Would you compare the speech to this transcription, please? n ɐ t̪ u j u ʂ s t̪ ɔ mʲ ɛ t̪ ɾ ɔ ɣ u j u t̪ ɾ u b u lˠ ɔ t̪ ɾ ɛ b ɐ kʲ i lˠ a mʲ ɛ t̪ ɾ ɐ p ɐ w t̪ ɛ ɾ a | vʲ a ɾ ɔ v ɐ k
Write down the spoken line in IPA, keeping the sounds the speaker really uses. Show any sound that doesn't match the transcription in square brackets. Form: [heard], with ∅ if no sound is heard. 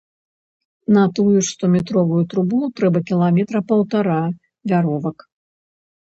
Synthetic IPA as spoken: n ɐ t̪ u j u ʂ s t̪ ɔ mʲ ɛ t̪ ɾ ɔ [v] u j u t̪ ɾ u b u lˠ [u] t̪ ɾ ɛ b ɐ kʲ i lˠ a mʲ ɛ t̪ ɾ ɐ p ɐ w t̪ [a] ɾ a | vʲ a ɾ ɔ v ɐ k